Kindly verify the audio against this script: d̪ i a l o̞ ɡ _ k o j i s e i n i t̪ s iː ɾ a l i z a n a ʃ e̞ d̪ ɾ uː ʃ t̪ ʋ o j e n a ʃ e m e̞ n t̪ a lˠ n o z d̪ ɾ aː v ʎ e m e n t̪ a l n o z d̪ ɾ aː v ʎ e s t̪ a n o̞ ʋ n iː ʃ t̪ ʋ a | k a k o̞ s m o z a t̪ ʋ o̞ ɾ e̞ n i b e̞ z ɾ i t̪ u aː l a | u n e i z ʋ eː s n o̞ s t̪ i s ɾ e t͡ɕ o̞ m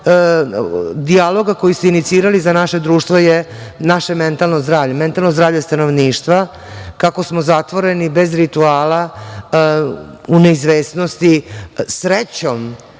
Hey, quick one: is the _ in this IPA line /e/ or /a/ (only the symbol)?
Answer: a